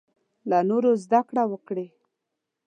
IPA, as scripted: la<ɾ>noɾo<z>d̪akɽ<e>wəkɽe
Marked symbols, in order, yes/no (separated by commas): no, yes, no